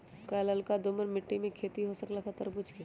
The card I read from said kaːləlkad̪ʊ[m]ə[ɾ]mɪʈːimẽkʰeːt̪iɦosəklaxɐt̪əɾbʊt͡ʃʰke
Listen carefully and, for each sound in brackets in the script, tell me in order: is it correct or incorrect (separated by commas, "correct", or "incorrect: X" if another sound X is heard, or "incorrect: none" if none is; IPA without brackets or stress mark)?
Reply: correct, correct